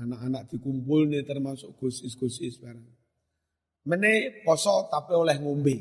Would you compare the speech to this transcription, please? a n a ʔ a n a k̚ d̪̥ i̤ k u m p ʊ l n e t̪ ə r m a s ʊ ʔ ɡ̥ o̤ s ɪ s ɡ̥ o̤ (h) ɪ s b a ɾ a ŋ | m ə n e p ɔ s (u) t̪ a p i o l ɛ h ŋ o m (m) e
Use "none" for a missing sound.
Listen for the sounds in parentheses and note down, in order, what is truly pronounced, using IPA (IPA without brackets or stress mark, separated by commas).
s, ɔ, b